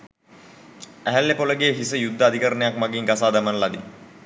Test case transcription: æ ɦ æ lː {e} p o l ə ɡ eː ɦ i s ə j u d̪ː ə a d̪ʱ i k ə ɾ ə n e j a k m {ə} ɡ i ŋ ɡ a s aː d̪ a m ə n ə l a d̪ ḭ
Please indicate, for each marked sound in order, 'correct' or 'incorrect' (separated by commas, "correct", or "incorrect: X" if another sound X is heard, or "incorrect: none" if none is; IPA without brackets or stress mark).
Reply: correct, incorrect: a